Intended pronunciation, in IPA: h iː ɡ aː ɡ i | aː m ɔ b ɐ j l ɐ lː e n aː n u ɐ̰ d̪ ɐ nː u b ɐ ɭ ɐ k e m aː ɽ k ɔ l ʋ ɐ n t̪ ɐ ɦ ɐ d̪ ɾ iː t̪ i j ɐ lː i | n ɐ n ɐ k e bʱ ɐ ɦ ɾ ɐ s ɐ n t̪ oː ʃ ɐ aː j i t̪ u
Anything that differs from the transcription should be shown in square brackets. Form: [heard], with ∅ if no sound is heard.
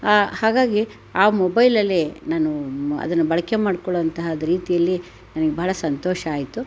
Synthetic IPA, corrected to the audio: h [aː] ɡ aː ɡ i | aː m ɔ b ɐ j l ɐ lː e n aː n u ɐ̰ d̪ ɐ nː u b ɐ ɭ ɐ k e m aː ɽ k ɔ [ɭ] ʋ ɐ n t̪ ɐ ɦ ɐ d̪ ɾ iː t̪ i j ɐ lː i | n ɐ n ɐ [ɡ] e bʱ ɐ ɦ [ɭ] ɐ s ɐ n t̪ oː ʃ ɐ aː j i t̪ u